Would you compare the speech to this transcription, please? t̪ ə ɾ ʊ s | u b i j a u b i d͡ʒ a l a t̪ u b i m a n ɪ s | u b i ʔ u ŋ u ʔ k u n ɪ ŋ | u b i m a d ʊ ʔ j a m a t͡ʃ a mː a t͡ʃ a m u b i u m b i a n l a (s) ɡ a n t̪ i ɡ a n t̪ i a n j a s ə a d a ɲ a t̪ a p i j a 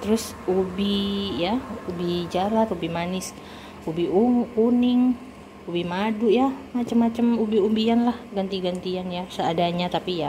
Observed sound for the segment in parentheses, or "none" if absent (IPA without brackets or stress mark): h